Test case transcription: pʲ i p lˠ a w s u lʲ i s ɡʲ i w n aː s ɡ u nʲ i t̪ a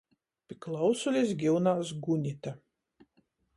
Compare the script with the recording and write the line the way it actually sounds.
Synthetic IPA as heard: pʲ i k lˠ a w s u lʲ i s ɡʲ i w n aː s ɡ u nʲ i t̪ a